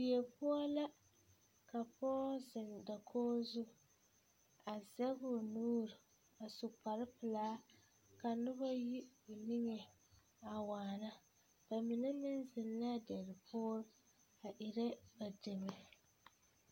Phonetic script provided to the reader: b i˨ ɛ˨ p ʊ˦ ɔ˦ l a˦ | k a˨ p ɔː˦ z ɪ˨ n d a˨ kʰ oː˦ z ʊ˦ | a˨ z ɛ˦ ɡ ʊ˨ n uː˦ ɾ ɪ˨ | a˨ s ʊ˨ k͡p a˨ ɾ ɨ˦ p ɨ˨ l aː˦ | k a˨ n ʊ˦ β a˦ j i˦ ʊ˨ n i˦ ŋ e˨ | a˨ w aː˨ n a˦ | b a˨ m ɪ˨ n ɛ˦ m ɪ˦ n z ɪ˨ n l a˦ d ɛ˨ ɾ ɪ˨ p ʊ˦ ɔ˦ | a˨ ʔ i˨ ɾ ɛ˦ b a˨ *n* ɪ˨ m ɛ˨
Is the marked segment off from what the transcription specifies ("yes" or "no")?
yes